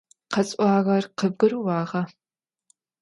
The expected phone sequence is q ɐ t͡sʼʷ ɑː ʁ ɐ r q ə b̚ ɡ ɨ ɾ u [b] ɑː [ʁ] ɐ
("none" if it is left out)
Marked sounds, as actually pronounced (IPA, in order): w, ʁ

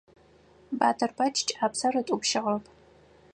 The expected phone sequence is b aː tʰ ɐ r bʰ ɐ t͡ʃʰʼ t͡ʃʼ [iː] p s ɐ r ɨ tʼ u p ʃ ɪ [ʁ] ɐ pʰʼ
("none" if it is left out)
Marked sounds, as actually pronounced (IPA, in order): aː, ʁ

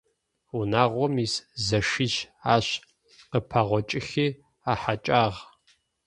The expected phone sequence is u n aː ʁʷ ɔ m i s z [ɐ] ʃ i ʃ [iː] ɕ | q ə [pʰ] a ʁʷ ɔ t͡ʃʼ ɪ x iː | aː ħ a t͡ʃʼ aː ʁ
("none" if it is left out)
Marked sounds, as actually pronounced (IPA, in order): ɐ, aː, pʰ

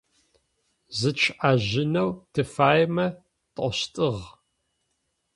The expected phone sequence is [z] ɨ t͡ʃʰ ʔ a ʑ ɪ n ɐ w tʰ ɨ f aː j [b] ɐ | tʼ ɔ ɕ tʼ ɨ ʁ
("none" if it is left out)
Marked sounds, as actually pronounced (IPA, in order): z, m

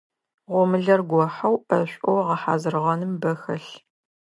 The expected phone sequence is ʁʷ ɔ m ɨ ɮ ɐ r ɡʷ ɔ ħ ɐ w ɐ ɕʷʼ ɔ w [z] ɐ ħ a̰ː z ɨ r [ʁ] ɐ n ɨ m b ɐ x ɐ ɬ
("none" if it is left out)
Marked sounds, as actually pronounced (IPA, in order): ʁ, ʁ

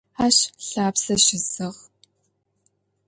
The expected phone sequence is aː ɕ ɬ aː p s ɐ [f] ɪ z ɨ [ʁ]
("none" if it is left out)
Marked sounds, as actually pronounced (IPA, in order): ʃ, ʁ

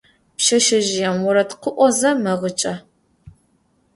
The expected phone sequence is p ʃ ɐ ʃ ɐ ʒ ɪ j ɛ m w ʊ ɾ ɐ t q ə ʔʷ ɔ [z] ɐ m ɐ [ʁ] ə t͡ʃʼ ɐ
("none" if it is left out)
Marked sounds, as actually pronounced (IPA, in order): z, ʁ

